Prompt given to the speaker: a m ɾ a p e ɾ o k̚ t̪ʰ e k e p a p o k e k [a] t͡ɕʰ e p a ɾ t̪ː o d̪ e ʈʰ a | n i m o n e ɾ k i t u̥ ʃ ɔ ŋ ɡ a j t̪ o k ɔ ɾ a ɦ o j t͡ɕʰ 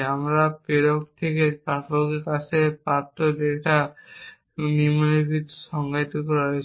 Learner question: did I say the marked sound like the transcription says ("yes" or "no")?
yes